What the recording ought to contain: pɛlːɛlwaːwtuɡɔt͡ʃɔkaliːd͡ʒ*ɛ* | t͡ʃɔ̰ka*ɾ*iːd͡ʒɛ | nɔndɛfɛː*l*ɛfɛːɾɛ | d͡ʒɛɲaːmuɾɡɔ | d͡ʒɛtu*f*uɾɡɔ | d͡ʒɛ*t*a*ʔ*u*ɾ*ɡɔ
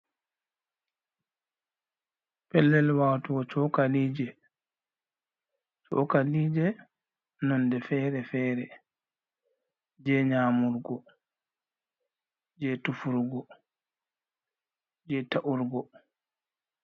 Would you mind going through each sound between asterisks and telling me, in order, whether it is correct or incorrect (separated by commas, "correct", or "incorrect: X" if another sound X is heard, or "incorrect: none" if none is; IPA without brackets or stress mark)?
correct, incorrect: l, incorrect: ɾ, correct, correct, correct, correct